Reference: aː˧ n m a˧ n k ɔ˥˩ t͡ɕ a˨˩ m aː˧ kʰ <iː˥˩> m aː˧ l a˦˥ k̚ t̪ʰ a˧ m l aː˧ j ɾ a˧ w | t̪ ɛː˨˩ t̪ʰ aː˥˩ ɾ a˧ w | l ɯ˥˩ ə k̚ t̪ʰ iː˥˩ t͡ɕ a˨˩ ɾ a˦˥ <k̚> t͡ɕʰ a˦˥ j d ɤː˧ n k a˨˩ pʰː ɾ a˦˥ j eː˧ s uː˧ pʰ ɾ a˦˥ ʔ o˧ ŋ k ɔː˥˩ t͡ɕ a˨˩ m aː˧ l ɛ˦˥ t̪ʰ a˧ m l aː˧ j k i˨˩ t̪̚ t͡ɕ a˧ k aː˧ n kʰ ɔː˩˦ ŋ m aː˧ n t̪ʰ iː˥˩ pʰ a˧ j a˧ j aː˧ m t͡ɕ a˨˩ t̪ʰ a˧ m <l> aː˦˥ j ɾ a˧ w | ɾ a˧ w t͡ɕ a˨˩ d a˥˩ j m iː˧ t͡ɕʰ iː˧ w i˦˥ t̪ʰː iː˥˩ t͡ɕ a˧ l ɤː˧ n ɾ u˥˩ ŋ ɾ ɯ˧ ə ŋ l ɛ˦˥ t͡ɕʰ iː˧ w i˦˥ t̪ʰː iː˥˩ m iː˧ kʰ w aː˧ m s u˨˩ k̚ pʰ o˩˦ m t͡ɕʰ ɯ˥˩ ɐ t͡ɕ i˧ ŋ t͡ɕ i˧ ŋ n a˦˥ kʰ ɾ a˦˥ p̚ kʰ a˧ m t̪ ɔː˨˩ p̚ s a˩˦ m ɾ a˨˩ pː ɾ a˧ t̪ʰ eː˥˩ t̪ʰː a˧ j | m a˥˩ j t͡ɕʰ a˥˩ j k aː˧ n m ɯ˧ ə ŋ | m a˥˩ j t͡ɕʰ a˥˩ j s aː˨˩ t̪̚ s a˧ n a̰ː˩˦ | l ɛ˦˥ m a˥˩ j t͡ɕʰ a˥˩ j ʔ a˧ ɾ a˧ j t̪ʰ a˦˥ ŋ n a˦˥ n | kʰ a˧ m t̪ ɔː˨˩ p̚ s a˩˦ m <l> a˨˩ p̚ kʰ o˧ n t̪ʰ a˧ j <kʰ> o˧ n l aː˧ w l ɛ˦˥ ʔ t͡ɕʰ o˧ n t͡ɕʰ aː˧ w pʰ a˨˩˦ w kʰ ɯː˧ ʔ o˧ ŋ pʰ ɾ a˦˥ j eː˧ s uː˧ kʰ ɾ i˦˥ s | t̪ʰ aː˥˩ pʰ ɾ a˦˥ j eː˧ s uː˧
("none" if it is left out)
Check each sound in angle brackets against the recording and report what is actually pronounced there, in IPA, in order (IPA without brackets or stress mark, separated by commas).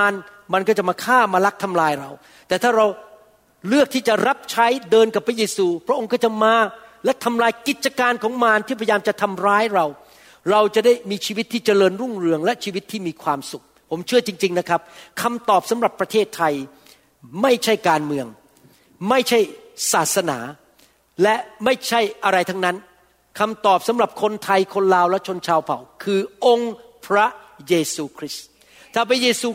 aː˥˩, p̚, ɾ, ɾ, kʰ